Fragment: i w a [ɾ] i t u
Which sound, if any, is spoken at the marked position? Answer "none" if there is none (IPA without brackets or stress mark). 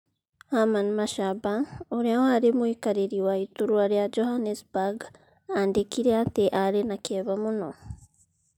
none